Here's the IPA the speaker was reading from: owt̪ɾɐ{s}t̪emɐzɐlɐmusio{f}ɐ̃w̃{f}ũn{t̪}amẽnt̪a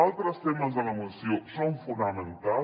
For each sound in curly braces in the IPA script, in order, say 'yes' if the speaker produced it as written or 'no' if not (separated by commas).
yes, no, yes, no